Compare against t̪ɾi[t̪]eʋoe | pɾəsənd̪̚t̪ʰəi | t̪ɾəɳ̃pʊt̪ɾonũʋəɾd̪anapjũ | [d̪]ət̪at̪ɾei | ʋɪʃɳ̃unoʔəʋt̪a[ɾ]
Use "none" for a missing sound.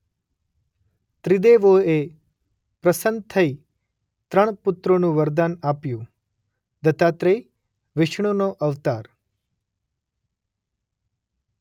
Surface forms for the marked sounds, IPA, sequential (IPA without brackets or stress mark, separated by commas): d̪, d̪, ɾ